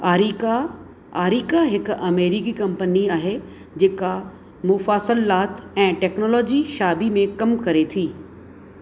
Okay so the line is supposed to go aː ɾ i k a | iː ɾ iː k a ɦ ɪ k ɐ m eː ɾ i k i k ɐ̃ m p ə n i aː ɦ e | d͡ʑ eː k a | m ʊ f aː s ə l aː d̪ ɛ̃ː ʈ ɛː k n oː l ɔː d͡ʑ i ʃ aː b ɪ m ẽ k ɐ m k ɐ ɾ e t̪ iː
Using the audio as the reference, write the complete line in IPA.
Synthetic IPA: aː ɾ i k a | aː ɾ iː k a ɦ ɪ k ɐ m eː ɾ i k i k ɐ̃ m p ə n i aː ɦ e | d͡ʑ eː k a | m ʊ f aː s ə l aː t̪ ɛ̃ː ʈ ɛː k n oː l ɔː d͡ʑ i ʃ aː b i m ẽ k ɐ m k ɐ ɾ e t̪ʰ iː

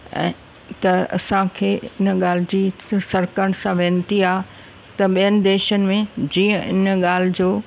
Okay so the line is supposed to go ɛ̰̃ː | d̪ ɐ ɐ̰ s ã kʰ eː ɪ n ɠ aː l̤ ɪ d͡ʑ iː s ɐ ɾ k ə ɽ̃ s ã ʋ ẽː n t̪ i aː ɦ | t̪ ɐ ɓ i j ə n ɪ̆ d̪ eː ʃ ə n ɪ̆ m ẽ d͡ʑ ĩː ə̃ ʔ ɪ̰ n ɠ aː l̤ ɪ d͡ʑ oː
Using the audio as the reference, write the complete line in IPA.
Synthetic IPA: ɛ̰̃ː | t̪ ɐ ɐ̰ s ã kʰ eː ɪ n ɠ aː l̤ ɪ d͡ʑ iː s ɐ ɾ k ə ɽ̃ s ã ʋ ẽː n t̪ i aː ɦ | t̪ ɐ ɓ i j ə n ɪ̆ d̪ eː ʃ ə n ɪ̆ m ẽ d͡ʑ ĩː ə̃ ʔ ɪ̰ n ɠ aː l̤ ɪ d͡ʑ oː

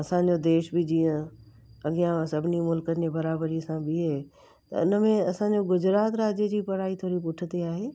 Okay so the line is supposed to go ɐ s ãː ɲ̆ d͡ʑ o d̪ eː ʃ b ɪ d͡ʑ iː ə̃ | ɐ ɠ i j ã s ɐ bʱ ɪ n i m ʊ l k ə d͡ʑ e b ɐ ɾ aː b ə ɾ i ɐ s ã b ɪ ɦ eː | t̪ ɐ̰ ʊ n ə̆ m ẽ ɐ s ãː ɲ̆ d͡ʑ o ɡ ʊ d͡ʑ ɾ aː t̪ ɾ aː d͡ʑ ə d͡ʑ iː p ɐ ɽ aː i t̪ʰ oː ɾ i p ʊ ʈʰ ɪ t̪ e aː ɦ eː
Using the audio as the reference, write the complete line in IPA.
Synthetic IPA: ɐ s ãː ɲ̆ d͡ʑ o d̪ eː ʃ b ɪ d͡ʑ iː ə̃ | ɐ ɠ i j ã s ɐ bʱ ɪ n i m ʊ l k ə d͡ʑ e b ɐ ɾ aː b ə ɾ i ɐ s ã b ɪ ɦ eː | t̪ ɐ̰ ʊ n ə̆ m ẽ ɐ s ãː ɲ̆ d͡ʑ o ɡ ʊ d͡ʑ ɾ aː t̪ ɾ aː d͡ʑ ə d͡ʑ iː p ɐ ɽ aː i t̪ʰ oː ɾ i p ʊ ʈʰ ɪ t̪ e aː ɦ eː

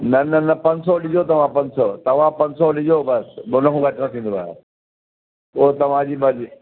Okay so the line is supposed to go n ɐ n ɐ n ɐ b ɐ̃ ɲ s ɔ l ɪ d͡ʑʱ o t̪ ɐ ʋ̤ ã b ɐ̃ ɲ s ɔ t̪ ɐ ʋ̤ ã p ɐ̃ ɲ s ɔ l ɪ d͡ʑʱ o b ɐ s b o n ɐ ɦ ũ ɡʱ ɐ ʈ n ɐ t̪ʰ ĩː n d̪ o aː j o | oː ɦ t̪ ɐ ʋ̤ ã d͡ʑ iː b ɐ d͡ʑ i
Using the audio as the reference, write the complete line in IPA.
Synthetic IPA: n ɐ n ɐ n ɐ p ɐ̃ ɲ s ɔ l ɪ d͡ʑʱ o t̪ ɐ ʋ̤ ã p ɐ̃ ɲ s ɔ t̪ ɐ ʋ̤ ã p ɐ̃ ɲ s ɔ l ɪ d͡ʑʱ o b ɐ s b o n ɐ ɦ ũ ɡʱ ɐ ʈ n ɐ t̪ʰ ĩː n d̪ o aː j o | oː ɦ t̪ ɐ ʋ̤ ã d͡ʑ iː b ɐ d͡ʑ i

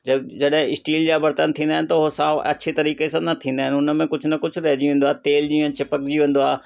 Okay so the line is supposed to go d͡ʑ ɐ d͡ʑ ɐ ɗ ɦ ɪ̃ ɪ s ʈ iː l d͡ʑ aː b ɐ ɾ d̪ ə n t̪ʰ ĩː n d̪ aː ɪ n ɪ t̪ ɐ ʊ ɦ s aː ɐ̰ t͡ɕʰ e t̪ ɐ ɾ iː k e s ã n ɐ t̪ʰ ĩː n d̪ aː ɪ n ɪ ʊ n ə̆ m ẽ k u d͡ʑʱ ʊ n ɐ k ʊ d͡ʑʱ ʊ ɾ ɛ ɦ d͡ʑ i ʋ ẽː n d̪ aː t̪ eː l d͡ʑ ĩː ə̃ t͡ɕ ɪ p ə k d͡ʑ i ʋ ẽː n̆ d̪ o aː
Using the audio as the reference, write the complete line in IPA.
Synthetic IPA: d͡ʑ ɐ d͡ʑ ɐ ɗ ɦ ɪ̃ ɪ s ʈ iː l d͡ʑ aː b ɐ ɾ t̪ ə n t̪ʰ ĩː n d̪ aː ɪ n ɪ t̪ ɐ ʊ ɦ s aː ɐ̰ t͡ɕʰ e t̪ ɐ ɾ iː k e s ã n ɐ t̪ʰ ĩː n d̪ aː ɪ n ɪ ʊ n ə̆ m ẽ k ʊ d͡ʑʱ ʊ n ɐ k ʊ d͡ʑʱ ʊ ɾ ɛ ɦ d͡ʑ i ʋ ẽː n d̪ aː t̪ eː l d͡ʑ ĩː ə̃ t͡ɕ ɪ p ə k d͡ʑ i ʋ ẽː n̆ d̪ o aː

